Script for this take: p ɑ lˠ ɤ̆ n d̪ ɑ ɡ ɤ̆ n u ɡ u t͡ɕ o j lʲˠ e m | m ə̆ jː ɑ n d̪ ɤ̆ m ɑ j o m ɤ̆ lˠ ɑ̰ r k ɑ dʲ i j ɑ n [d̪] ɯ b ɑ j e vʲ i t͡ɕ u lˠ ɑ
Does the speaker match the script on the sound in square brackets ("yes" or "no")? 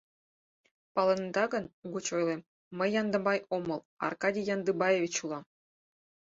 yes